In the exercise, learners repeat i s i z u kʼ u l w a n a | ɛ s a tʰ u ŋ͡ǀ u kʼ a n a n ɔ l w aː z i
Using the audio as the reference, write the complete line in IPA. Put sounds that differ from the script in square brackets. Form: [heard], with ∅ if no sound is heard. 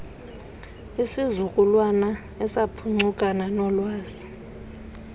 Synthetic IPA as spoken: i s i z u kʼ u l w a n a | ɛ s a [pʰ] u ŋ͡ǀ u kʼ a n a n ɔ l w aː z i